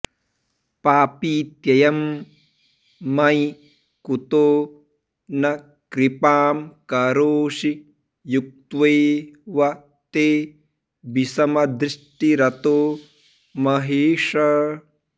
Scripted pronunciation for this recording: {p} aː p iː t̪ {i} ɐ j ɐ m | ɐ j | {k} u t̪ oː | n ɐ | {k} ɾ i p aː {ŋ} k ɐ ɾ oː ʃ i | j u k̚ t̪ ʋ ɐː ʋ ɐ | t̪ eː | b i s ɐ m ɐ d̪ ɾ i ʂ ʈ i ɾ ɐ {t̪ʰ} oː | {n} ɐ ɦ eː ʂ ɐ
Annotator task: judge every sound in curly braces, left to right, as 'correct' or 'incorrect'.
correct, incorrect: j, correct, correct, incorrect: m, incorrect: t̪, incorrect: m

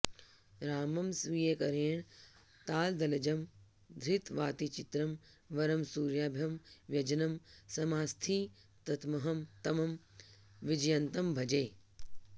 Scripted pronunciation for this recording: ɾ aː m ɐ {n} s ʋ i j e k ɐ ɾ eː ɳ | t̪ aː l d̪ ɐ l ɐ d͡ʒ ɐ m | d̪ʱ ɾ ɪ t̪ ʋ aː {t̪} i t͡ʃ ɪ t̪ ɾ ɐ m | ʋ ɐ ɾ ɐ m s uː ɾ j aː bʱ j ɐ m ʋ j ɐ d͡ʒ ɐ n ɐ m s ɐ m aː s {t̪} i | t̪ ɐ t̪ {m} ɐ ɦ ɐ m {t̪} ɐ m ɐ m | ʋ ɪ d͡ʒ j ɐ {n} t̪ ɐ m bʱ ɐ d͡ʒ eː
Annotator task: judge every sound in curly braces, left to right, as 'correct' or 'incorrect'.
incorrect: m, correct, incorrect: t̪ʰ, correct, correct, correct

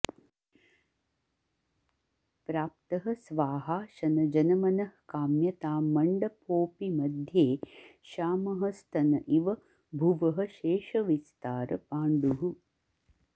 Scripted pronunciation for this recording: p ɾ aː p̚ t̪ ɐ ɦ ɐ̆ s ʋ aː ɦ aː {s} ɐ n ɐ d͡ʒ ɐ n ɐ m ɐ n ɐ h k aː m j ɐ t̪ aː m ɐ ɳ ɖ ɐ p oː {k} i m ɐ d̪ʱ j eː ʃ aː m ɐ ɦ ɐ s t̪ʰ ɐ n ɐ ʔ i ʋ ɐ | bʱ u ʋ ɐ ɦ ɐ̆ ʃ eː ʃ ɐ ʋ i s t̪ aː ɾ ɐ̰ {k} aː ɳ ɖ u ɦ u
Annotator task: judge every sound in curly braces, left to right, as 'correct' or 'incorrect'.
incorrect: ʃ, incorrect: p, incorrect: p

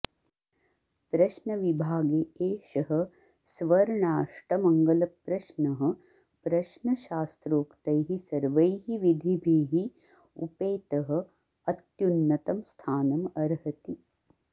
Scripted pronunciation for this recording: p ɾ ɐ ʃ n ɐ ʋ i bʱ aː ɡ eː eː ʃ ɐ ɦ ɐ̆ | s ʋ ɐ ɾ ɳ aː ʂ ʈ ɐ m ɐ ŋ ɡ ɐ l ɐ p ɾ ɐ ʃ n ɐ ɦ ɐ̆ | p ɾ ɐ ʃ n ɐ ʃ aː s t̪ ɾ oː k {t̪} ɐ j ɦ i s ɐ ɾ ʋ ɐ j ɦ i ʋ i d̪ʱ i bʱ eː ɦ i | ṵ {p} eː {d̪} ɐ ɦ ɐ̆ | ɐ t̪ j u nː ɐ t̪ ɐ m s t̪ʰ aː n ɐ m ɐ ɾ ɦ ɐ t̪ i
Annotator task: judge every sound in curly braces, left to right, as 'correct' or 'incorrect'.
correct, correct, incorrect: t̪

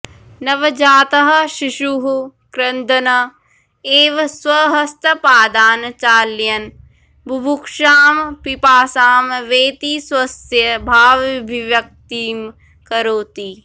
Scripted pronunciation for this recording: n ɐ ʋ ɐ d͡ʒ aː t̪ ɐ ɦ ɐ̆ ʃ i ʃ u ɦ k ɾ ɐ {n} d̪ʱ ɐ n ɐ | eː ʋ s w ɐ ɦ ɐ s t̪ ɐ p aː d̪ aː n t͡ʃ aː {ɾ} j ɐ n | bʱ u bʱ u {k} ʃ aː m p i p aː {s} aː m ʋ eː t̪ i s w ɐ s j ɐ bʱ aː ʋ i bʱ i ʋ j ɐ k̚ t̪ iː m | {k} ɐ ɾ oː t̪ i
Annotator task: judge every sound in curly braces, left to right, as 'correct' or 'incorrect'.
correct, incorrect: l, correct, correct, correct

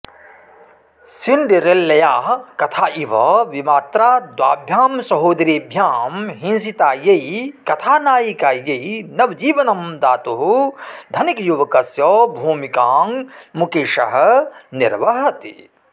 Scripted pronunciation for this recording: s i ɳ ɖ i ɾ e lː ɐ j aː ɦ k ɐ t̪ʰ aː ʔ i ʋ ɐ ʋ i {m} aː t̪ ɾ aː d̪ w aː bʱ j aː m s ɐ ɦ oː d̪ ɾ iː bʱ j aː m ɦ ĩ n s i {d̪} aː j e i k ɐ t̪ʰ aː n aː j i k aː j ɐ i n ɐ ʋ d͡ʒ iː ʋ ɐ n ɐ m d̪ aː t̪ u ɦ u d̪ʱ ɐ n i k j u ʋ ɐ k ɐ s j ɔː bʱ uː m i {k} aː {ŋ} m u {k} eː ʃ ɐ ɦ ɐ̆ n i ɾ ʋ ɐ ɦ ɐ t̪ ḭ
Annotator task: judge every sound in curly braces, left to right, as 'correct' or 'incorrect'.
correct, incorrect: t̪, correct, correct, correct

